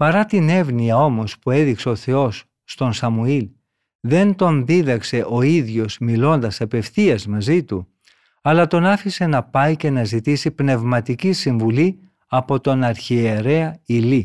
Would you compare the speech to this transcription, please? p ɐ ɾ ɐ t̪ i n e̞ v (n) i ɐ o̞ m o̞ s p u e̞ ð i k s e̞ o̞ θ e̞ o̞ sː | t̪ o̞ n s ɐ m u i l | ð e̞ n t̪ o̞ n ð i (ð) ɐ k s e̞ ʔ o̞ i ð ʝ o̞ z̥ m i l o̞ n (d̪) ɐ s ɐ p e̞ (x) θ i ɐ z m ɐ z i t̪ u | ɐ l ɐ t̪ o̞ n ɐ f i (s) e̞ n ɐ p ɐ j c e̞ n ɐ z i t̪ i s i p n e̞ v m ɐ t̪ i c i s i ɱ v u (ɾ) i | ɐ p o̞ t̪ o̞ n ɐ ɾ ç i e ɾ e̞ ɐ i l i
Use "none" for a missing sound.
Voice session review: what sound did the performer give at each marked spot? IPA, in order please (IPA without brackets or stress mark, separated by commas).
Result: n, ð, d̪, f, s, l